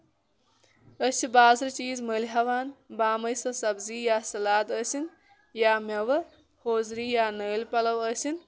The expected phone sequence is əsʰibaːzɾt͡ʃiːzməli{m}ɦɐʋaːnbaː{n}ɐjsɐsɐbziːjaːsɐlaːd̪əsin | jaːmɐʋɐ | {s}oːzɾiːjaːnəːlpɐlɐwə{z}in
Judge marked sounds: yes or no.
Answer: no, no, no, no

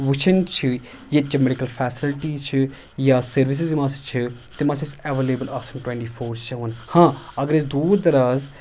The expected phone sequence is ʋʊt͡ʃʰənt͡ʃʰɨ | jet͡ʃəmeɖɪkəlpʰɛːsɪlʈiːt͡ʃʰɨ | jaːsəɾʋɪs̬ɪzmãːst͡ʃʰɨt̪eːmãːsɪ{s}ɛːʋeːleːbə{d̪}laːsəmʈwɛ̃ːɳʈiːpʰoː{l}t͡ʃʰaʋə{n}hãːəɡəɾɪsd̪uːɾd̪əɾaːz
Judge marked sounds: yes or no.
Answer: yes, no, no, yes

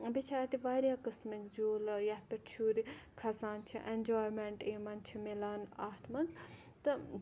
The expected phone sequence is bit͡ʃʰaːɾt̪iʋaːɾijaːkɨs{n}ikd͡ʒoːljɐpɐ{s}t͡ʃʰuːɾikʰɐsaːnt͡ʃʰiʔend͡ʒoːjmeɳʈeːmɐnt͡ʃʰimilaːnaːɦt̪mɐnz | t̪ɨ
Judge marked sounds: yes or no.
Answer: no, no

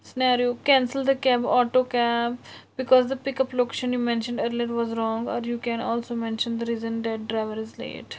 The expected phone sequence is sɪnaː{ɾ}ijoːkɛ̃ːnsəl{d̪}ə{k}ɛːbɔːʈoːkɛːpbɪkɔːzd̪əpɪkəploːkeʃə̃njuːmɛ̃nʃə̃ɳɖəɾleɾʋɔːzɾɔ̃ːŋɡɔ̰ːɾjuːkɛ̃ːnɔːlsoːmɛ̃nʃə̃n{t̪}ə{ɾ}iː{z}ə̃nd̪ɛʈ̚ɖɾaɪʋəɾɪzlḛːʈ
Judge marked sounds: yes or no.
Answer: yes, yes, yes, no, yes, yes

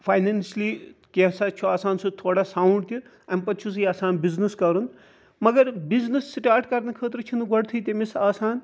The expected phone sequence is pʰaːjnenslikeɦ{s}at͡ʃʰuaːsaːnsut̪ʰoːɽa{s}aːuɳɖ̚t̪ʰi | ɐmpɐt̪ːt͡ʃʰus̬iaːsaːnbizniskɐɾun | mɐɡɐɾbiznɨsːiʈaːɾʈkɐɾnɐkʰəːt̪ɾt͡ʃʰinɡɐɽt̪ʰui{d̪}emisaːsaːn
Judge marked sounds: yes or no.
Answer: yes, yes, no

